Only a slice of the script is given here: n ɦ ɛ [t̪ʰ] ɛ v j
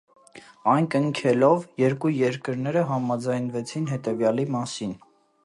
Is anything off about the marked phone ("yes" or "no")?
yes